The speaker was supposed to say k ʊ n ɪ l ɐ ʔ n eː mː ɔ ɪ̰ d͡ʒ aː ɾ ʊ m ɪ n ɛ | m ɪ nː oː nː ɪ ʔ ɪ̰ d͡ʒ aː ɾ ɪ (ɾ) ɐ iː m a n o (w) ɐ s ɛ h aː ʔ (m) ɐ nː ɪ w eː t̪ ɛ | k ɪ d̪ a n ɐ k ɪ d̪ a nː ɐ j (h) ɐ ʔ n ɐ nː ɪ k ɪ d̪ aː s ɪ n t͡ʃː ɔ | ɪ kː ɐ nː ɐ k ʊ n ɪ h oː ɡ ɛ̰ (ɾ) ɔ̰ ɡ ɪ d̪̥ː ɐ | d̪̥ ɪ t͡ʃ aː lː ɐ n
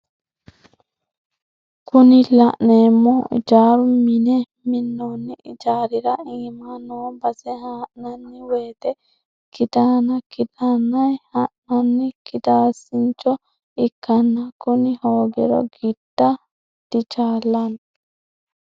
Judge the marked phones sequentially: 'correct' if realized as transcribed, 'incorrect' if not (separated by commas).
correct, incorrect, incorrect, correct, correct